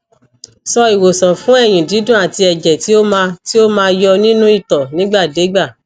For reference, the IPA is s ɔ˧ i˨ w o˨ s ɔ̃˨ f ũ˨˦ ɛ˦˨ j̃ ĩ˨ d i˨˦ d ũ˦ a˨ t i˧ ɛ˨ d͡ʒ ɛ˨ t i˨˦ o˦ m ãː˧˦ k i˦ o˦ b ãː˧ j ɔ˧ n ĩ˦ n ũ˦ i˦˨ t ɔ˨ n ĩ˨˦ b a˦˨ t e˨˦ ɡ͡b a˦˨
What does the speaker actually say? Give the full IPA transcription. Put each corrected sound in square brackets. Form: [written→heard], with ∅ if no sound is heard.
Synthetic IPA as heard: s ɔ˧ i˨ w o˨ s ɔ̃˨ f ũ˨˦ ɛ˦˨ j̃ ĩ˨ d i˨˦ d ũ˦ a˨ t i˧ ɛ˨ d͡ʒ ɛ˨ t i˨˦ o˦ m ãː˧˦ [k→t] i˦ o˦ [b→m] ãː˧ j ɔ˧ n ĩ˦ n ũ˦ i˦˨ t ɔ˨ n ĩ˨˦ [b→ɡ͡b] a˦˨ [t→d] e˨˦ ɡ͡b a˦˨